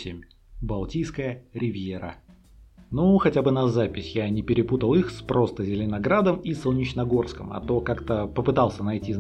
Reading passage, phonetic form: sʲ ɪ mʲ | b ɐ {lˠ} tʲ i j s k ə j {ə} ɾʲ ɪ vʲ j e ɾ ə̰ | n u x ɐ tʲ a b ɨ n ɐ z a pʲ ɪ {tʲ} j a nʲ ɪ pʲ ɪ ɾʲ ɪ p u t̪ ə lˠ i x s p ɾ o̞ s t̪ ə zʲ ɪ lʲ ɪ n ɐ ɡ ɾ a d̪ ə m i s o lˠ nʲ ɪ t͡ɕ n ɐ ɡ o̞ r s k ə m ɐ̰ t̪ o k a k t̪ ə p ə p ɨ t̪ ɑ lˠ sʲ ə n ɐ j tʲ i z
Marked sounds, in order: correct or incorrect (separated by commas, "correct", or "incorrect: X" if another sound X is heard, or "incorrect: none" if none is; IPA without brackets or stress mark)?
correct, correct, incorrect: sʲ